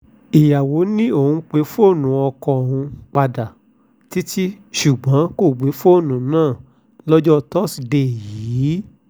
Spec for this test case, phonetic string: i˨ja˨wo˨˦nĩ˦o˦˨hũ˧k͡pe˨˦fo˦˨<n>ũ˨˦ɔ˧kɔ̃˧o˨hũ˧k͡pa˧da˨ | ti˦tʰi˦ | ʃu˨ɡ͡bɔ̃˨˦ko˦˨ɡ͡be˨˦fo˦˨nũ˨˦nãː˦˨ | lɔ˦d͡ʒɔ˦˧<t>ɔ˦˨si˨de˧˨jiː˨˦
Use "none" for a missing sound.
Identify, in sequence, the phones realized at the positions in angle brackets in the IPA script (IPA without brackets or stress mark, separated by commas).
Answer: n, t